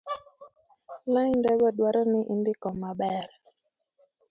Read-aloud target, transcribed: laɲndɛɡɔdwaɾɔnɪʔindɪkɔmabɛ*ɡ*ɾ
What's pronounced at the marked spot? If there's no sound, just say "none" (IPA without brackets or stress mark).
none